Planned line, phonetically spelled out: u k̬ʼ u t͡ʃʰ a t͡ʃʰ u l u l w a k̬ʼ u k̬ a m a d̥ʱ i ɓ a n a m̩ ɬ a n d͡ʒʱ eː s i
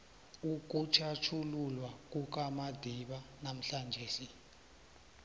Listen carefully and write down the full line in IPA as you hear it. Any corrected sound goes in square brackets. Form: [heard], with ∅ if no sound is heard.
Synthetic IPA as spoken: u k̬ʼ u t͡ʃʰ a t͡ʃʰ u l u l w a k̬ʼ u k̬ a m a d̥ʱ i ɓ a n a m̩ ɬ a n d͡ʒʱ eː s i